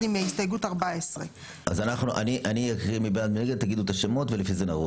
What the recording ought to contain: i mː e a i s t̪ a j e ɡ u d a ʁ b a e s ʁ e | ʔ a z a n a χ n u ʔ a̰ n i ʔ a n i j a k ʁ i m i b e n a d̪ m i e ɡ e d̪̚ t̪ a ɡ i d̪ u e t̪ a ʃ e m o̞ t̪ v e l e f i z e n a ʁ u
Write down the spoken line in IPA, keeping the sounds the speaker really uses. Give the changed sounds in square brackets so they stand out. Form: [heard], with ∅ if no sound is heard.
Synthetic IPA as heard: i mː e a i s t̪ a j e ɡ u [t] a ʁ b a e s ʁ e | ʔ a z a n a χ n u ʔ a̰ n i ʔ a n i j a k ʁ i m i b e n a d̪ m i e ɡ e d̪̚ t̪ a ɡ i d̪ u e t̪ a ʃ e m o̞ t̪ v e l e f i z e n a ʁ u